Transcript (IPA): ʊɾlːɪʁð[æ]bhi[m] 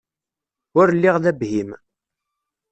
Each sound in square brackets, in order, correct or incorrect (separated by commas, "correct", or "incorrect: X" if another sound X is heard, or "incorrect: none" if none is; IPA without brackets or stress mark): correct, correct